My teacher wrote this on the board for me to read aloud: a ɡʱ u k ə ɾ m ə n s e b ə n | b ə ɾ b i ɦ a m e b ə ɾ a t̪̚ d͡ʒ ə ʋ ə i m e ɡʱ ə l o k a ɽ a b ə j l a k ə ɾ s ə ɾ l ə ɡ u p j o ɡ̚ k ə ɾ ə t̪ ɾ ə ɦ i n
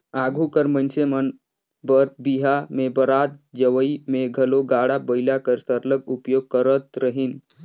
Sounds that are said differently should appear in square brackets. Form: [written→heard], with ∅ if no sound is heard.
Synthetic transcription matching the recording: a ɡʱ u k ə ɾ m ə n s e [b→m] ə n | b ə ɾ b i ɦ a m e b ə ɾ a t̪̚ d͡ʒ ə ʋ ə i m e ɡʱ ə l o [k→ɡ] a ɽ a b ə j l a k ə ɾ s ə ɾ l ə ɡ u p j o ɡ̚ k ə ɾ ə t̪ ɾ ə ɦ i n